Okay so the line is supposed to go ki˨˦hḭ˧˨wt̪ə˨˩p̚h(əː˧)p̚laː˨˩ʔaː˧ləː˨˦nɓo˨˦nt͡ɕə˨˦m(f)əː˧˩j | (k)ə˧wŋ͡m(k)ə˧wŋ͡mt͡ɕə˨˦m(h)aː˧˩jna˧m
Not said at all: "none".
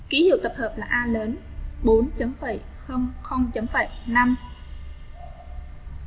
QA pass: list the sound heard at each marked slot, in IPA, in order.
əː˨˩, f, x, x, f

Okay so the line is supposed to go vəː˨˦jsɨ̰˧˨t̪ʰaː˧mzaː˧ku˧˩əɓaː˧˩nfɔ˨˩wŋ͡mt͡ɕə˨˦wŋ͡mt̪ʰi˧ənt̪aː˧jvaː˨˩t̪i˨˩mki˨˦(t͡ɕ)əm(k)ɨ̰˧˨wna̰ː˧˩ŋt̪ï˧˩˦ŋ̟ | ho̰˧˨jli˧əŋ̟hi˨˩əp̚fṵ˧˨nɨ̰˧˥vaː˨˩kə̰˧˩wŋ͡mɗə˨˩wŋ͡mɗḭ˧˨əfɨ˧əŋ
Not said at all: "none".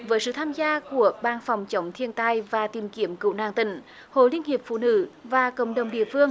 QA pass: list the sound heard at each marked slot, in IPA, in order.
none, k

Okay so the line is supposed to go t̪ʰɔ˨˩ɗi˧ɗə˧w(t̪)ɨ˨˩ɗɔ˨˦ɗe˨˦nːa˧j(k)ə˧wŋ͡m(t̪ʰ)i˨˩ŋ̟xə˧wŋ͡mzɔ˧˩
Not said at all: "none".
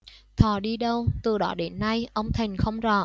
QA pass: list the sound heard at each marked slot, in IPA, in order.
t̪, ʔ, t̪ʰ

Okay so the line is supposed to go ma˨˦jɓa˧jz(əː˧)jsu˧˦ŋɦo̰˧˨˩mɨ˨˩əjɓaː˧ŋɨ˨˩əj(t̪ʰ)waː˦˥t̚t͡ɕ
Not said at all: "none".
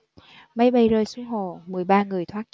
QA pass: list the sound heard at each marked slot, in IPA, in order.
əː˧, t̪ʰ

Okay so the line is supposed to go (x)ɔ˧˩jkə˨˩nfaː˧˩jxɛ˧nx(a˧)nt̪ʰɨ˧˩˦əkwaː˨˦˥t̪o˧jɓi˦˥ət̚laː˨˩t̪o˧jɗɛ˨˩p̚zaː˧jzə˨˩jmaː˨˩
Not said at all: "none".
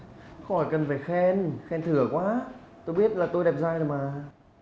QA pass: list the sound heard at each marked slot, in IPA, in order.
x, ɛ˧

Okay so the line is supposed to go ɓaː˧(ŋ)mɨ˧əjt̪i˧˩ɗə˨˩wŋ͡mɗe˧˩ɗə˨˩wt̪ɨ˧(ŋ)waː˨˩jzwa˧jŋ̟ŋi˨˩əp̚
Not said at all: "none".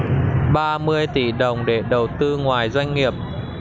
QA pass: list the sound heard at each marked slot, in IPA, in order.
none, ŋ

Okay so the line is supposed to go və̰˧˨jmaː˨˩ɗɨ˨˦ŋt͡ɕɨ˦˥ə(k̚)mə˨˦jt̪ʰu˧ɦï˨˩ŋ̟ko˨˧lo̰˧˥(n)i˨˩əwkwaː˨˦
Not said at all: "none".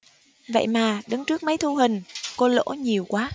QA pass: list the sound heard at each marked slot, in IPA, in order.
k̚, ɲ

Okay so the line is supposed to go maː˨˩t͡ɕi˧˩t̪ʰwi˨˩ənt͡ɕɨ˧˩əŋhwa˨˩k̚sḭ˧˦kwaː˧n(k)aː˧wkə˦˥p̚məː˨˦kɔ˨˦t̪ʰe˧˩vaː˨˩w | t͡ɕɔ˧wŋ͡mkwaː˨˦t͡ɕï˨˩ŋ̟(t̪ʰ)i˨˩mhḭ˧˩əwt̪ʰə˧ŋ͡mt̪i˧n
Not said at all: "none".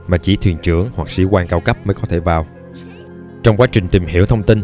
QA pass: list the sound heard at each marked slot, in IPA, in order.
k, t̪

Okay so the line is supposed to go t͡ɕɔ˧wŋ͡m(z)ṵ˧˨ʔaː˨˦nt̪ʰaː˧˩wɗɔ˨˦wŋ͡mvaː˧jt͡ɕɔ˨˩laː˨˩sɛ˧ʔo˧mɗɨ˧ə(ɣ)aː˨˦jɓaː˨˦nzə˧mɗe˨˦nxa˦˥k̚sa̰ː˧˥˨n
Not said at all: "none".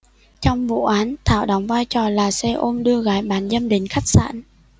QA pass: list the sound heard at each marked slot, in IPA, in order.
v, ɣ

